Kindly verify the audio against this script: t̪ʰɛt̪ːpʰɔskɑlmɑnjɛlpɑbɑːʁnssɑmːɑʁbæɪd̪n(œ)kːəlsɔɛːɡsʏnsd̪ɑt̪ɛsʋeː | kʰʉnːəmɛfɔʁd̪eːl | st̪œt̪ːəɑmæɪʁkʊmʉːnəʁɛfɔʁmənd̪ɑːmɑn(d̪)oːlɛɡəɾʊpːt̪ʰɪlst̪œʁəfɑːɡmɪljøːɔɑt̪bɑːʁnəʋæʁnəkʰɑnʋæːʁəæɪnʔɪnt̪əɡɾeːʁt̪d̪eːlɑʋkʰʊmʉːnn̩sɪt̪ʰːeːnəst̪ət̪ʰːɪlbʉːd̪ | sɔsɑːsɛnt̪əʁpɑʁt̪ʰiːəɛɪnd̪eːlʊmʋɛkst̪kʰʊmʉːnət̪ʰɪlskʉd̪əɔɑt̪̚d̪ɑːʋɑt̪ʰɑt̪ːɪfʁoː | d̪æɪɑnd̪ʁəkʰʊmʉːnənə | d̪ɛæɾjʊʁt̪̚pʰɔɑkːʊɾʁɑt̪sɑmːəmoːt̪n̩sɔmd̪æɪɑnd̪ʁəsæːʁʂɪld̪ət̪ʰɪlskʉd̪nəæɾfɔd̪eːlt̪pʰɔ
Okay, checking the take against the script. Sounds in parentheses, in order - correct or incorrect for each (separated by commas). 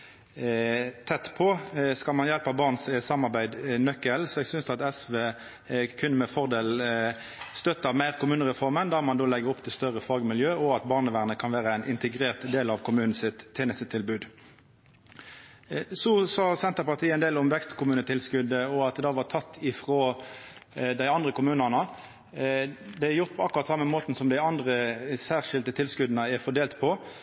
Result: correct, correct